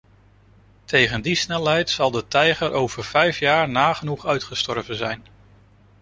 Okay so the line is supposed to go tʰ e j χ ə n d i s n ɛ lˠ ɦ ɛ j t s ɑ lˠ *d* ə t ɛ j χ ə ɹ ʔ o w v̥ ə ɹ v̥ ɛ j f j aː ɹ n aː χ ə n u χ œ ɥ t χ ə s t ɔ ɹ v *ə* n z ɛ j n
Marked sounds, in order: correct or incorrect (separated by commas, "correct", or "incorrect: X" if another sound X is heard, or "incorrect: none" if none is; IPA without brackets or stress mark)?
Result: correct, correct